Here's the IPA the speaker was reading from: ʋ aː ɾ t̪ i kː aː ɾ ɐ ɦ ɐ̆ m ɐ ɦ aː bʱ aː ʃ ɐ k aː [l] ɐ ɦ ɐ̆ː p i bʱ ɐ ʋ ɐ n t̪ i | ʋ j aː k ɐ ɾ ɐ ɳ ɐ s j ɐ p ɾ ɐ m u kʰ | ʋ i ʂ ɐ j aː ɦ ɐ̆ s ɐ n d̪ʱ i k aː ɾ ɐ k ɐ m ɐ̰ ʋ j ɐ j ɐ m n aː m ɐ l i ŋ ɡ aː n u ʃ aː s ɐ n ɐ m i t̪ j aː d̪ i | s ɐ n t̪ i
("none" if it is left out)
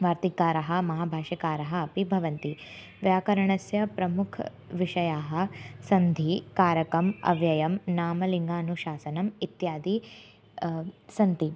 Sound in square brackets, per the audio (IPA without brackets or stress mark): ɾ